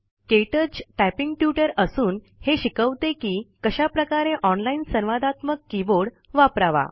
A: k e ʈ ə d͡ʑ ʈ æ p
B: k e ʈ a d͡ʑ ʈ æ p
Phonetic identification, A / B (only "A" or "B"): A